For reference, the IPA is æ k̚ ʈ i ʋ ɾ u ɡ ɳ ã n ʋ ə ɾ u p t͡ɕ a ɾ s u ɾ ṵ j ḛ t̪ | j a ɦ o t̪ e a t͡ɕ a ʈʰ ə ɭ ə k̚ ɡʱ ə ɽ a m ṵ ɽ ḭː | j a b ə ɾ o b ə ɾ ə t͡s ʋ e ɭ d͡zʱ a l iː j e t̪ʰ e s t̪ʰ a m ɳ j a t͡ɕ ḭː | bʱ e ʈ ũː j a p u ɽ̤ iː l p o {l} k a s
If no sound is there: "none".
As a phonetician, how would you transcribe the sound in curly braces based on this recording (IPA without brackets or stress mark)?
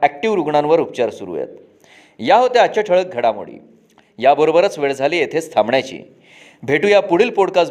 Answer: ɽ